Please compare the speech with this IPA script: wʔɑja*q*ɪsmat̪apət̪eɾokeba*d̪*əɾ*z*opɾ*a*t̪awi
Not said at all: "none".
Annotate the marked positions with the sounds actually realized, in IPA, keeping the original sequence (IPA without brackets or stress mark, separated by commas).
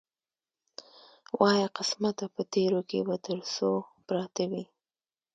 q, t̪, s, ɑ